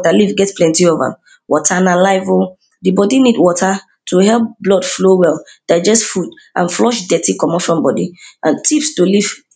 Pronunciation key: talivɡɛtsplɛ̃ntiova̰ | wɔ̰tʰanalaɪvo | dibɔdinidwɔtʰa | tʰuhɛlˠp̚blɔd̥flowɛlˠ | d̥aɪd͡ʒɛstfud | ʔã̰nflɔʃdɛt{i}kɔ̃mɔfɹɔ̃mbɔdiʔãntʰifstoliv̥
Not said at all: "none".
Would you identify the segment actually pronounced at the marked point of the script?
i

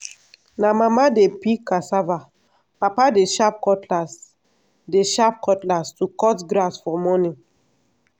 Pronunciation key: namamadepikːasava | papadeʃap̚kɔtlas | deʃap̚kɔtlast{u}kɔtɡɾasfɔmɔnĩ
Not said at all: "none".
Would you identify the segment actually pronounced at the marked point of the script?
u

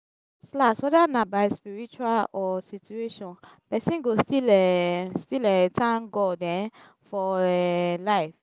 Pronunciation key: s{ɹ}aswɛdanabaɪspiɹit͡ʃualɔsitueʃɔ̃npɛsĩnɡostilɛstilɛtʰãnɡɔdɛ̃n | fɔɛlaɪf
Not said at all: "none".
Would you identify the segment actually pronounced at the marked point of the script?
l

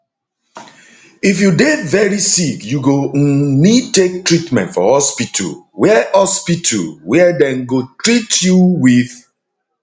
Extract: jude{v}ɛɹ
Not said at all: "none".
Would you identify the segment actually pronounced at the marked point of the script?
v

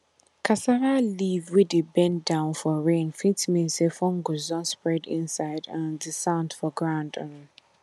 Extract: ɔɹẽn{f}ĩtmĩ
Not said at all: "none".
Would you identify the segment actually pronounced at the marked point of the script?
f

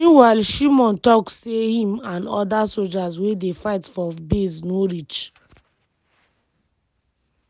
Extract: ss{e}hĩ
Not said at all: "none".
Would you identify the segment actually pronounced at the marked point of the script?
e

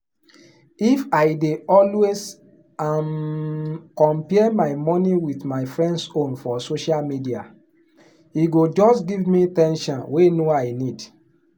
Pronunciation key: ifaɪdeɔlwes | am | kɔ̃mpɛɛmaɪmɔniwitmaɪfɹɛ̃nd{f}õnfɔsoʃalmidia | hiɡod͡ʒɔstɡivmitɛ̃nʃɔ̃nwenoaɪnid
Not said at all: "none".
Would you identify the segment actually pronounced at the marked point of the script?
s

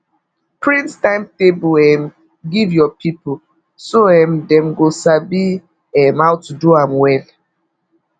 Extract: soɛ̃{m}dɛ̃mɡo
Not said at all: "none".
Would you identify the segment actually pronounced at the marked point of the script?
m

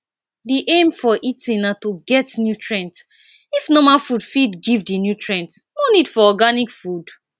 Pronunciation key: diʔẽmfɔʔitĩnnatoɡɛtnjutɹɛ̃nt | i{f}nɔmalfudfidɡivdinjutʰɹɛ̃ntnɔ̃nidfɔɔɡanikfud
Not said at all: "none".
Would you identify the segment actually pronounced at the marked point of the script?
f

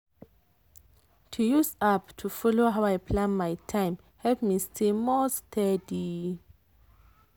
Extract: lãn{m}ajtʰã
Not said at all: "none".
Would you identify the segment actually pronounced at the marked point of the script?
m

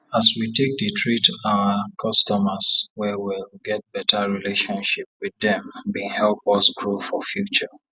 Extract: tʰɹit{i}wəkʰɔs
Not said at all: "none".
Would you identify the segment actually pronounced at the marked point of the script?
a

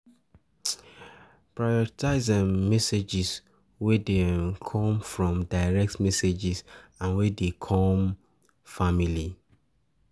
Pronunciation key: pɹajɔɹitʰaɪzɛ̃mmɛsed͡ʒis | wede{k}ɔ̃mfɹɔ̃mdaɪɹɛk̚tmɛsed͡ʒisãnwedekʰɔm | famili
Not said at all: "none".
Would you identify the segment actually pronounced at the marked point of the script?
kʰ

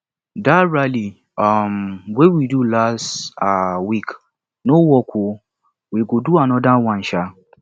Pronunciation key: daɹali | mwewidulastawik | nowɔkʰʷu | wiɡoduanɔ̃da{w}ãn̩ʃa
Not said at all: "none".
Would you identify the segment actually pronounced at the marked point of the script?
w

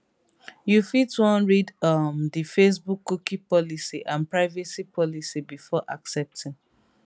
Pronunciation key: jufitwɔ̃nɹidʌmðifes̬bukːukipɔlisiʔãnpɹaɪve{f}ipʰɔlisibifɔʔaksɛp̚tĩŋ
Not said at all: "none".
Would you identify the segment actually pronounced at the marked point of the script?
s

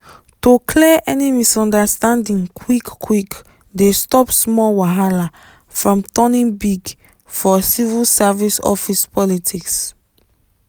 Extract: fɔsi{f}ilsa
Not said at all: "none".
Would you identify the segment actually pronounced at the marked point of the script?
v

